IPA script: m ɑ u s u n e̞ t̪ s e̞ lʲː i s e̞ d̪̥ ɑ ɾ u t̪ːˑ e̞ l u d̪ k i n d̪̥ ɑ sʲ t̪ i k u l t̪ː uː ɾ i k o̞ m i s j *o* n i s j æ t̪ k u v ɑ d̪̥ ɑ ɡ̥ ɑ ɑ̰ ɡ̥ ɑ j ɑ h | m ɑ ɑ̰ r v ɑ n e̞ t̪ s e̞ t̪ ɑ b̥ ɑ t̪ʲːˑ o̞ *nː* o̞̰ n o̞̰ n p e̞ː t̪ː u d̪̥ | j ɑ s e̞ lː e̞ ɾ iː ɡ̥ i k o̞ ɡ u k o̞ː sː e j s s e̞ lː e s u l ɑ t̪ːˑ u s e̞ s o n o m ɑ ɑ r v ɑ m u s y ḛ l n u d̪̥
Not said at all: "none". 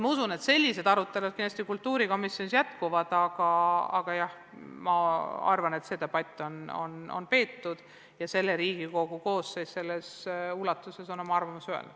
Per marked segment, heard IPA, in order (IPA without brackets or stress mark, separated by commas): o, n